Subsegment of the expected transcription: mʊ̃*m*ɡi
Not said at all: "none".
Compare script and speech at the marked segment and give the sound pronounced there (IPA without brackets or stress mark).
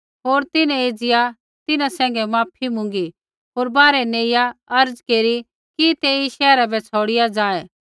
ŋ